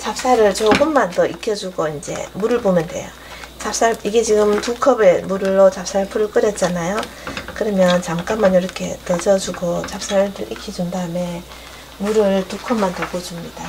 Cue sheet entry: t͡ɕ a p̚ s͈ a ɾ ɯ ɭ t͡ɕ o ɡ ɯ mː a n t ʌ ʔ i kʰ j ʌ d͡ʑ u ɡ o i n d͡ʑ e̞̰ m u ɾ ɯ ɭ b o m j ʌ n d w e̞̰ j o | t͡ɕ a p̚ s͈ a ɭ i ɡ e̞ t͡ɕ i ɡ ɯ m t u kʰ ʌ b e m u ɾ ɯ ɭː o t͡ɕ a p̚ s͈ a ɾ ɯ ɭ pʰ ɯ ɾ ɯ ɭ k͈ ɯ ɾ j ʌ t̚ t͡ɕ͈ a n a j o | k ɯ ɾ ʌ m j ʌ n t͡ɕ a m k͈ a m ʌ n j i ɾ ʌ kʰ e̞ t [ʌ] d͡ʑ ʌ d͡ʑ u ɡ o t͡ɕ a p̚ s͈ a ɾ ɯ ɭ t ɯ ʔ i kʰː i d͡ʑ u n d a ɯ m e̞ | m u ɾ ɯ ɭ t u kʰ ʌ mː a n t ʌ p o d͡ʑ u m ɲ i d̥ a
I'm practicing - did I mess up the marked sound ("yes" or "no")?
no